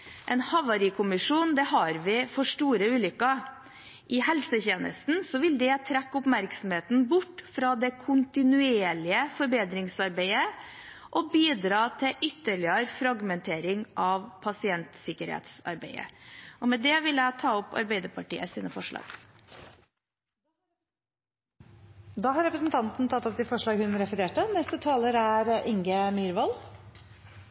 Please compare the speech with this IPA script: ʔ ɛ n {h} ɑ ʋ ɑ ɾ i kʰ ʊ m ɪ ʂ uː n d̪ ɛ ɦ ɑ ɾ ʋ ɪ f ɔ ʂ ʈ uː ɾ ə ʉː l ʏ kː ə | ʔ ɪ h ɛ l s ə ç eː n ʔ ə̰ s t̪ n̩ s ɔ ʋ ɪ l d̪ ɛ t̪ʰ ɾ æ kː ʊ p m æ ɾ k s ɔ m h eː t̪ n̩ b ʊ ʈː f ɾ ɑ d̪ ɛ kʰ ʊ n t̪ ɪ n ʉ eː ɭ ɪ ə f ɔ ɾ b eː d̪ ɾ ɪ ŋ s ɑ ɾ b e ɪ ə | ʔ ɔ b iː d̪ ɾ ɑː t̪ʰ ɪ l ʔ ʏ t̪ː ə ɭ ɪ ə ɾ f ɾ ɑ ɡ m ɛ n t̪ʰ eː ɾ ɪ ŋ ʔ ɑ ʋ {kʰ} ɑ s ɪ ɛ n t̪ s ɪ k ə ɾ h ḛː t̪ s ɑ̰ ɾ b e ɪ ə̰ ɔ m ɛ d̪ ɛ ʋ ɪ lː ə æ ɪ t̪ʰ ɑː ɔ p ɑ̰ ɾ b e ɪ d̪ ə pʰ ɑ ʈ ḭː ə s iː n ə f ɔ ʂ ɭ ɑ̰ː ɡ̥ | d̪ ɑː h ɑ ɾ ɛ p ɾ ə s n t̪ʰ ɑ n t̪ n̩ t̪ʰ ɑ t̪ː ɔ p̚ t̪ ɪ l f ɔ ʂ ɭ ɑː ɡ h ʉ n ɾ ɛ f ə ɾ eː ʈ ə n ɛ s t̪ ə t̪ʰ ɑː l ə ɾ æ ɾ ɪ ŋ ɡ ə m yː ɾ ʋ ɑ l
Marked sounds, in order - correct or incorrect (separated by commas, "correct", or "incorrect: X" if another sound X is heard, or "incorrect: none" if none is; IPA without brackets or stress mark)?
correct, incorrect: pʰ